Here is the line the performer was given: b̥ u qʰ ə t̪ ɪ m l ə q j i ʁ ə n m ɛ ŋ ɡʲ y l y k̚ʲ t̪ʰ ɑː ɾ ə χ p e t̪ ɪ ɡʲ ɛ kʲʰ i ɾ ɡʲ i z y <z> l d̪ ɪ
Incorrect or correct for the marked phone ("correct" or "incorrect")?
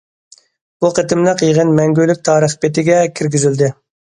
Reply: incorrect